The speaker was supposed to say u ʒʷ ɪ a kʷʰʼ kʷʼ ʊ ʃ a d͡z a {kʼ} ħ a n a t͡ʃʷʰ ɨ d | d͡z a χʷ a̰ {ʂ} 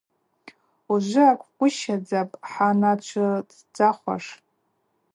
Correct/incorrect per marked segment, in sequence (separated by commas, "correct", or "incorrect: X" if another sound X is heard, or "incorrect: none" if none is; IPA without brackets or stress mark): incorrect: pʼ, correct